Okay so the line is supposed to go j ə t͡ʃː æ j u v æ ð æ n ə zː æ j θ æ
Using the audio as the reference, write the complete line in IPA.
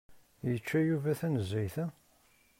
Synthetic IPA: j ə t͡ʃː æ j u v æ θ æ n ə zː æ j θ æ